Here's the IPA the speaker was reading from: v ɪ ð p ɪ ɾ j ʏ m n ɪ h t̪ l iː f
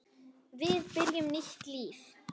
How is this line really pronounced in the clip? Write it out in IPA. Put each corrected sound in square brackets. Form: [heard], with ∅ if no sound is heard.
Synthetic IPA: v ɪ ð p ɪ ɾ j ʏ m n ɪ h t̪ l iː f